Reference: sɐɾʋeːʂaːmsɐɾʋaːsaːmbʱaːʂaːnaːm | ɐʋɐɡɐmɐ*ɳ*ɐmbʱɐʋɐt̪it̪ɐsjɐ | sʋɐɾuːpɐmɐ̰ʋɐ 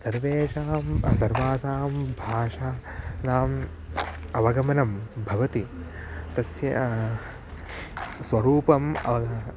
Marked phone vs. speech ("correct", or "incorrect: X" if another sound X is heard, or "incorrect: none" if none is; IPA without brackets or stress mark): incorrect: n